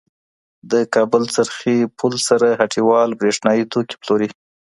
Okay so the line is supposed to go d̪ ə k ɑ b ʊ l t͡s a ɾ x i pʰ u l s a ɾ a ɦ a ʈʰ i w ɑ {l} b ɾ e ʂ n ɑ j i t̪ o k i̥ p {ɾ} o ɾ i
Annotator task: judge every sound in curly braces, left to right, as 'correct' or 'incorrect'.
correct, incorrect

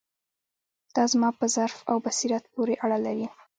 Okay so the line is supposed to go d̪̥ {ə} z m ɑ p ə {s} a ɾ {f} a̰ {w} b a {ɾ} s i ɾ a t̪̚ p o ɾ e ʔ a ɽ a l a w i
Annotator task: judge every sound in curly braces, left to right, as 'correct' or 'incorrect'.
incorrect, incorrect, correct, correct, incorrect

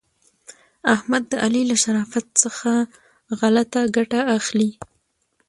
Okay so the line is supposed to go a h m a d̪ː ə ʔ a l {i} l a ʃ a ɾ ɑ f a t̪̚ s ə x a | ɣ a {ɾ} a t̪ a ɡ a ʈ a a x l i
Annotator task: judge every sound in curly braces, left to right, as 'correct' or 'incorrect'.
correct, incorrect

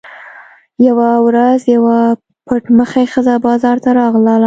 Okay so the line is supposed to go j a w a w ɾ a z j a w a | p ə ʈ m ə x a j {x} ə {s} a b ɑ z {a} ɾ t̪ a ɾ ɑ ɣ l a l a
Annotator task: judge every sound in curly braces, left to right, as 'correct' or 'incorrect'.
correct, incorrect, incorrect

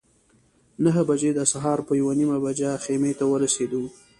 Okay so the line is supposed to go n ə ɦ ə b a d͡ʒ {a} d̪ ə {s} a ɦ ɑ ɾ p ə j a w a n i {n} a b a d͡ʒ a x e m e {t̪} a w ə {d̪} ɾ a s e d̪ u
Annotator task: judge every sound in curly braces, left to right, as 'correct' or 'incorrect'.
incorrect, correct, incorrect, correct, incorrect

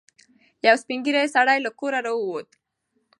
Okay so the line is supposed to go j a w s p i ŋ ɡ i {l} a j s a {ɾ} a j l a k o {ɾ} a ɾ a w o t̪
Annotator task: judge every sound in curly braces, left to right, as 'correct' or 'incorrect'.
incorrect, incorrect, correct

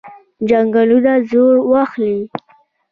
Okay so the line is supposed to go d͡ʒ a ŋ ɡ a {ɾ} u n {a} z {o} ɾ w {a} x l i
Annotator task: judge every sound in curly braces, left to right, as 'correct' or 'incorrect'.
incorrect, correct, correct, correct

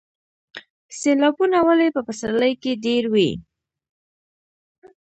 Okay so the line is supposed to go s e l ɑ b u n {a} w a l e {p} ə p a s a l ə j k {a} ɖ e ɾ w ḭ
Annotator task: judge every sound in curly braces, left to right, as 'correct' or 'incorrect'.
correct, correct, incorrect

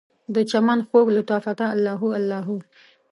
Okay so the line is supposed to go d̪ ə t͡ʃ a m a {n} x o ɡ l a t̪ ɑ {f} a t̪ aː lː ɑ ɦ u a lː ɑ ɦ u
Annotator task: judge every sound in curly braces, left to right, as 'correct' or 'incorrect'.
correct, correct

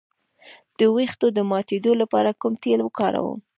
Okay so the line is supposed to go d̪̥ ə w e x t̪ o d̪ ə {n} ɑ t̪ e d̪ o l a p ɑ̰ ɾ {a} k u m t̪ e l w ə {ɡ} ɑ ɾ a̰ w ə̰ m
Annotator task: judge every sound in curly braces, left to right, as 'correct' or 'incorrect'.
incorrect, correct, incorrect

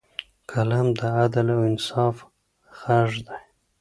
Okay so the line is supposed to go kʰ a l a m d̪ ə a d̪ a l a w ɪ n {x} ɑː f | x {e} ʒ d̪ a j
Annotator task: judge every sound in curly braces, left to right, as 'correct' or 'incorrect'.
incorrect, incorrect

